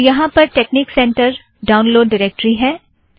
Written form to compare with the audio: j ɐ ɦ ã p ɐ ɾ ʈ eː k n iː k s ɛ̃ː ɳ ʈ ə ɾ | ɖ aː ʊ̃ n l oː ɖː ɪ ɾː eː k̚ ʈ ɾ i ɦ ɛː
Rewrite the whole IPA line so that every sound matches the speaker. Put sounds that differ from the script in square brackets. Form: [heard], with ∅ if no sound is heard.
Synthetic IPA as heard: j ɐ ɦ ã p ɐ ɾ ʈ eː k n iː k s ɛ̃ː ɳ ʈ ə ɾ | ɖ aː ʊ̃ n l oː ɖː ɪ [ɾ] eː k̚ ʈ ɾ i ɦ ɛː